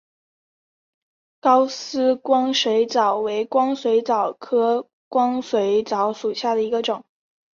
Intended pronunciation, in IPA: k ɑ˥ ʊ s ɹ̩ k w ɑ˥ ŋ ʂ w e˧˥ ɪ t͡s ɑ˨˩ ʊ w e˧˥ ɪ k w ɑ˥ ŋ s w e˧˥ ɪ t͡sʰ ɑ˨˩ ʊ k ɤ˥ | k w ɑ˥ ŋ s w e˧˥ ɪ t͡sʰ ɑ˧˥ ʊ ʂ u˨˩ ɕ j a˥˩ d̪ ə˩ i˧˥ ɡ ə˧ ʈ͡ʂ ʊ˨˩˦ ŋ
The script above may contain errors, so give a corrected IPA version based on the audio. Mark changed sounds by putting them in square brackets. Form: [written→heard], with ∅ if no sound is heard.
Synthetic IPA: k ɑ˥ ʊ s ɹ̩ k w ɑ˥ ŋ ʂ w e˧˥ ɪ t͡s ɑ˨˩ ʊ w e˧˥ ɪ k w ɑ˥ ŋ s w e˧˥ ɪ [t͡sʰ→t͡s] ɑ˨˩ ʊ [k→kʰ] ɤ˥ | k w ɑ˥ ŋ s w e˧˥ ɪ [t͡sʰ→t͡s] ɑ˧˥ ʊ ʂ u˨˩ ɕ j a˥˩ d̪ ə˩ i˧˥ ɡ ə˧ ʈ͡ʂ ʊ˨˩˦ ŋ